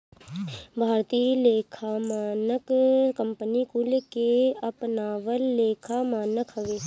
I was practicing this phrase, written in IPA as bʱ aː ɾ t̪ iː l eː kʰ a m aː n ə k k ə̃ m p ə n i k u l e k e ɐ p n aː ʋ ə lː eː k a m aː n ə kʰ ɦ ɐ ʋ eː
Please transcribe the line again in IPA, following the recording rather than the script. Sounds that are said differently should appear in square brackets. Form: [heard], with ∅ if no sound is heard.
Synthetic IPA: bʱ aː ɾ t̪ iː l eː kʰ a m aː n ə k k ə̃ m p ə n i k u l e k e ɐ p n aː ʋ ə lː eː [kʰ] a m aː n ə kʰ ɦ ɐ ʋ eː